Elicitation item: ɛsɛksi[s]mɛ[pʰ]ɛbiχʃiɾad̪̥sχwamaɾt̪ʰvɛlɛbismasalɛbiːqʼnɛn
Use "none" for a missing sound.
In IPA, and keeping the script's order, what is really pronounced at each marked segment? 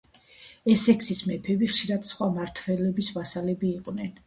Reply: s, pʰ

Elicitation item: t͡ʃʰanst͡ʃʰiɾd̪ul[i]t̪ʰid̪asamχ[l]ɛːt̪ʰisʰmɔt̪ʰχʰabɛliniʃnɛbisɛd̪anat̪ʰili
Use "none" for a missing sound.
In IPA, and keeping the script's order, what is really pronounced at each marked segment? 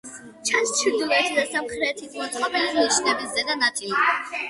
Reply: ɛ, ɾ

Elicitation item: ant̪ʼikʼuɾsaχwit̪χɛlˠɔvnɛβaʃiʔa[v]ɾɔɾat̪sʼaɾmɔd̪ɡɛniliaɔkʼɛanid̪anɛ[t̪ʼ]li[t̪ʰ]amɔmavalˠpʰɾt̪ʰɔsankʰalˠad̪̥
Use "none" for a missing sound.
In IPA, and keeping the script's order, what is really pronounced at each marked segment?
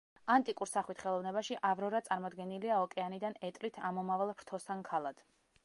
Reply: v, t̪ʼ, t̪ʰ

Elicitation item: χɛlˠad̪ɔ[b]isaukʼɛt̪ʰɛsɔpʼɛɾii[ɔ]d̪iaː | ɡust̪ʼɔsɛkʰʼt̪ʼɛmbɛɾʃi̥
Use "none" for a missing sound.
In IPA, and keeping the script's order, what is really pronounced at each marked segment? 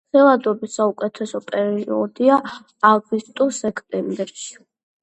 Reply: b, ɔ

